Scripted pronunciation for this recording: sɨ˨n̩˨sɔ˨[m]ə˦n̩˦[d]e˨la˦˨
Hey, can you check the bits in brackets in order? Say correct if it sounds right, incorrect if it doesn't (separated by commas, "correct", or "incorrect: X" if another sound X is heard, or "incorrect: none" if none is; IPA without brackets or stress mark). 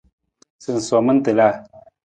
correct, incorrect: t